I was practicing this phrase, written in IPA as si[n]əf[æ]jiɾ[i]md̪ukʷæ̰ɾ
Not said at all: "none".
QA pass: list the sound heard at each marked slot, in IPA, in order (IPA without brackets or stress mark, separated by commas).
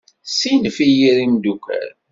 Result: n, i, i